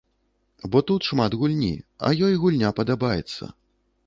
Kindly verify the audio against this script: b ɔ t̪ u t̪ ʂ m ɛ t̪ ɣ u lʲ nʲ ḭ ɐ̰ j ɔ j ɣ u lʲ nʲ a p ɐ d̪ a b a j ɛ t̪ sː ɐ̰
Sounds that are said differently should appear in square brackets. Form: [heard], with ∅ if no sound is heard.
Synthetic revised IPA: b ɔ t̪ u t̪ ʂ m [a] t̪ ɣ u lʲ nʲ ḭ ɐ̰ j ɔ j ɣ u lʲ nʲ a p ɐ d̪ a b a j ɛ t̪ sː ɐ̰